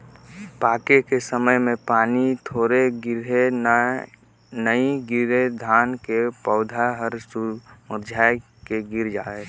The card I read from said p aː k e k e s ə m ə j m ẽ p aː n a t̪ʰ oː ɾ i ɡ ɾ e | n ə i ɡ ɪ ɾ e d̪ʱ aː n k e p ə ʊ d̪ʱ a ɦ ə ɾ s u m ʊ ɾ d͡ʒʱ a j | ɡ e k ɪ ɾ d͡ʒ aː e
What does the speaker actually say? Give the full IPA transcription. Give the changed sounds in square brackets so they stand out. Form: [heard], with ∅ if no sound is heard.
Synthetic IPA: p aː k e k e s ə m ə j m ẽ p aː n [i] t̪ʰ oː ɾ [e] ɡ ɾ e | n ə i ɡ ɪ ɾ e d̪ʱ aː n k e p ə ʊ d̪ʱ a ɦ ə ɾ s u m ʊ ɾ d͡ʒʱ a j | [k] e [ɡ] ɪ ɾ d͡ʒ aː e